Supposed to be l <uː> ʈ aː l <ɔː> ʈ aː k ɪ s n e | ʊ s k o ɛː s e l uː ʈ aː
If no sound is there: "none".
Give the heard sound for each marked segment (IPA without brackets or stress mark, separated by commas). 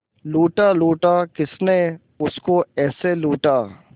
uː, uː